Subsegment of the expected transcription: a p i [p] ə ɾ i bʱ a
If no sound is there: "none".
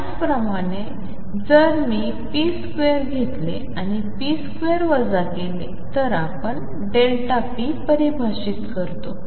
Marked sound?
p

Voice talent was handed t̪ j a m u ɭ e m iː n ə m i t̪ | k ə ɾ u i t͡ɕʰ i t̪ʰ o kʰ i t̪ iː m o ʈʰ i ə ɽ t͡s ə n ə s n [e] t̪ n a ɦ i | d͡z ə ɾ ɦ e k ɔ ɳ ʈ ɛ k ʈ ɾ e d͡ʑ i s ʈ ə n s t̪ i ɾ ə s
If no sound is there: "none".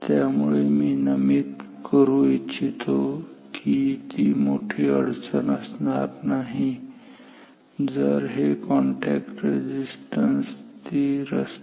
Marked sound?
a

